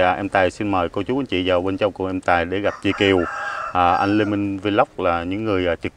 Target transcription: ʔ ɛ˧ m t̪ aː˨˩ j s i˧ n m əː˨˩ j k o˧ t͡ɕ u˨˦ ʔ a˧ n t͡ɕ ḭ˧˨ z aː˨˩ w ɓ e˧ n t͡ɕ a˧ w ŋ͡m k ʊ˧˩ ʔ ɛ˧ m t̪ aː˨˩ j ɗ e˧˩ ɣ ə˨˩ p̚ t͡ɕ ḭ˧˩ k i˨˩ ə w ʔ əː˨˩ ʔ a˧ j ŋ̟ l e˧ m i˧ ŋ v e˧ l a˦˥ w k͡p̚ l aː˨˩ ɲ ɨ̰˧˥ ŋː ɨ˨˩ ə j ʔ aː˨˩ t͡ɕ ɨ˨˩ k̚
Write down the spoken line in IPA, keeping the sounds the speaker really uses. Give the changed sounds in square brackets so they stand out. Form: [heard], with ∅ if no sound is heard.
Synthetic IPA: ʔ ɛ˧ m t̪ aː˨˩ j s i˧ n m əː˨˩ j k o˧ t͡ɕ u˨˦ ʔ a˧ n t͡ɕ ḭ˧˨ z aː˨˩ w ɓ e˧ n t͡ɕ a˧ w ŋ͡m k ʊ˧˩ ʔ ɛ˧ m t̪ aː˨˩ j ɗ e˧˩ ɣ [a˨˩] p̚ t͡ɕ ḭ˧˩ k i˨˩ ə w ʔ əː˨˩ ʔ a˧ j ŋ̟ l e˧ m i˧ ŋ v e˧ l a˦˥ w k͡p̚ l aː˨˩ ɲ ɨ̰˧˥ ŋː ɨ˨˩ ə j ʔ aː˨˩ t͡ɕ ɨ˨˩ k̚